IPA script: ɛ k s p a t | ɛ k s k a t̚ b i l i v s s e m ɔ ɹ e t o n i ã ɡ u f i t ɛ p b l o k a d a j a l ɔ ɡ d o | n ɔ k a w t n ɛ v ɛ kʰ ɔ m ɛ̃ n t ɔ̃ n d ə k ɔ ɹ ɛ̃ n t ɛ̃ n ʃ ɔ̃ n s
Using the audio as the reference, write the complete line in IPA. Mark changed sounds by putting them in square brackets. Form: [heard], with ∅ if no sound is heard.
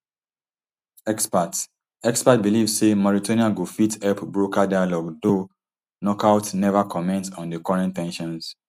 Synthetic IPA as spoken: ɛ k s p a t | ɛ k s [p] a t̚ b i l i v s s e m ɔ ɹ [i] t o n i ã ɡ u f i t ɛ p b [ɹ] o k a d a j a l ɔ ɡ d o | n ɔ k a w t n ɛ v [a] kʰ ɔ m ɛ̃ n t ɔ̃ n d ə k ɔ ɹ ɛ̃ n t ɛ̃ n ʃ ɔ̃ n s